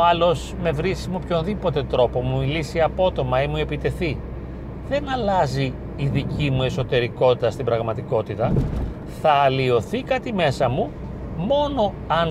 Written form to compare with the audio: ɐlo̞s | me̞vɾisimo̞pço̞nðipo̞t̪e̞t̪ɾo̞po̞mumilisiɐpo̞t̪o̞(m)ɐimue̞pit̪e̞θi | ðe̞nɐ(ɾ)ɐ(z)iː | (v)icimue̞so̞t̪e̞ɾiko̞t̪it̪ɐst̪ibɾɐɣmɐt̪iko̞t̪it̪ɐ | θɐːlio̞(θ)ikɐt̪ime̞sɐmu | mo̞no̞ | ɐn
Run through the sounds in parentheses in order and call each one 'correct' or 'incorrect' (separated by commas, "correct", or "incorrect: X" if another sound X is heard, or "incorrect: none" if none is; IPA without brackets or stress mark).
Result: correct, incorrect: l, correct, incorrect: ð, correct